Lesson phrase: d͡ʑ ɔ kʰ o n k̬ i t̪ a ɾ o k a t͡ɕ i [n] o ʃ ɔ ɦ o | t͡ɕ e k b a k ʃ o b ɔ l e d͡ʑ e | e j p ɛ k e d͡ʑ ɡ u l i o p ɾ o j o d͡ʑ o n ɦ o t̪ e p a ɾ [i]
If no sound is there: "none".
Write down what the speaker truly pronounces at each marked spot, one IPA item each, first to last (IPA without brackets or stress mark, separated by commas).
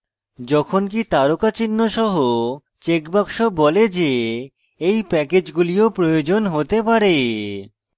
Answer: nː, e